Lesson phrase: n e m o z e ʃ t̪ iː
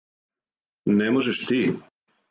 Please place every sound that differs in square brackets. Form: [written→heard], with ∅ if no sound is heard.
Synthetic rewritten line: n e m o [z→ʒ] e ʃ t̪ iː